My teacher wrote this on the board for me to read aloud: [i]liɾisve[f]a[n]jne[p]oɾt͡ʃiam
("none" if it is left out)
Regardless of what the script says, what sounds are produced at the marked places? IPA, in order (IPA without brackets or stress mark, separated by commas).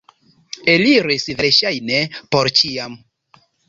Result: e, ʃ, none, p